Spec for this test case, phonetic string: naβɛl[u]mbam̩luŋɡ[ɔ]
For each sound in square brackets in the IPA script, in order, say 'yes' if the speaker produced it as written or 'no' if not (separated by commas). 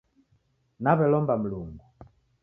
no, no